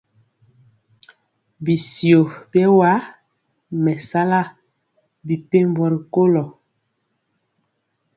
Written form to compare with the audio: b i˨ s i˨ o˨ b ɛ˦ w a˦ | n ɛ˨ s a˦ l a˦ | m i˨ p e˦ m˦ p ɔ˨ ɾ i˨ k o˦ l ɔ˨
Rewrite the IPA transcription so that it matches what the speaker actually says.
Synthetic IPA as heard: b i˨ s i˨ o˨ b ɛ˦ w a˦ | m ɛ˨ s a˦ l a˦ | b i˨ p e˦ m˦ b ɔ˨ ɾ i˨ k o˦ l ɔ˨